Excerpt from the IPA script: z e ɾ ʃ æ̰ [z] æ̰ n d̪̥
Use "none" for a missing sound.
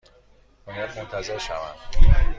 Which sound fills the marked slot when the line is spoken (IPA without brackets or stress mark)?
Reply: v